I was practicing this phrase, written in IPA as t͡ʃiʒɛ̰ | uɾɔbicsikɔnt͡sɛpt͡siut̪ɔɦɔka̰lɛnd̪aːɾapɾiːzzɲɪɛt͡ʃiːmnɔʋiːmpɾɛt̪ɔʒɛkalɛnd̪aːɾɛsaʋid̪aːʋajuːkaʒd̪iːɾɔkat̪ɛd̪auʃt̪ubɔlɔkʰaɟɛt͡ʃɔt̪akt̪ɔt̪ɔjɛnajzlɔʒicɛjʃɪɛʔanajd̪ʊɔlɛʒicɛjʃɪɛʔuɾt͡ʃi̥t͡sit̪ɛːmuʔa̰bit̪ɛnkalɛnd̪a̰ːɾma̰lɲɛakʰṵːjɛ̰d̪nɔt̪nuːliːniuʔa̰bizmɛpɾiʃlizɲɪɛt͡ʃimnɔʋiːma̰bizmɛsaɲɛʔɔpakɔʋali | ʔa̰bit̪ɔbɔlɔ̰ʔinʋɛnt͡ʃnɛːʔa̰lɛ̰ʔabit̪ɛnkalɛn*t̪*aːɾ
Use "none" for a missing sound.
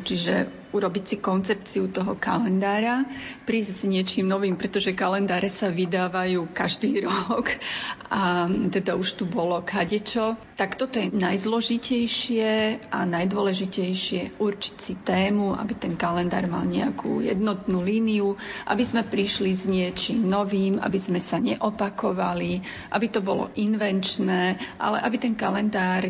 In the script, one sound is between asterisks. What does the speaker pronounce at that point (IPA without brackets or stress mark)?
d̪